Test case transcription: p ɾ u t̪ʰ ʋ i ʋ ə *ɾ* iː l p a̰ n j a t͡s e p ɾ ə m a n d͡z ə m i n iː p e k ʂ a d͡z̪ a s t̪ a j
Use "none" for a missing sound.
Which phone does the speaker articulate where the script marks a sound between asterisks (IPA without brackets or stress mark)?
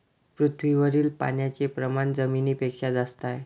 ɾ